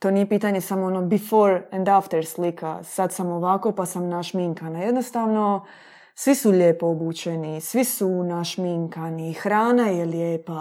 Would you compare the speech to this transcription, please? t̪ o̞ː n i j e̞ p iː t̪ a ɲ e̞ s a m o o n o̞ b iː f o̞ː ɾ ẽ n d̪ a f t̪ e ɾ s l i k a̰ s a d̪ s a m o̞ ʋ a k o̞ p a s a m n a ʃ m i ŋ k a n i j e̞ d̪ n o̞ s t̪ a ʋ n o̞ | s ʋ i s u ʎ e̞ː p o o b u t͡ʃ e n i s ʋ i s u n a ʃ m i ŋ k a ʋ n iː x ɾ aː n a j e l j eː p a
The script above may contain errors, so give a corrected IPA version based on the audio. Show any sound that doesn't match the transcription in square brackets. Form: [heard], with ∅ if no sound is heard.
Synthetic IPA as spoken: t̪ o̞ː n i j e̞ p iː t̪ a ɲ e̞ s a m o o n o̞ b [i] f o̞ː ɾ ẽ n d̪ a f t̪ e ɾ s l i k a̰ s a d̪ s a m o̞ ʋ a k o̞ p a s a m n a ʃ m i ŋ k a n [a] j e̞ d̪ n o̞ s t̪ a ʋ n o̞ | s ʋ i s u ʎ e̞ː p o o b u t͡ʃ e n i s ʋ i s u n a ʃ m i ŋ k a [∅] n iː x ɾ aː n a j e l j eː p a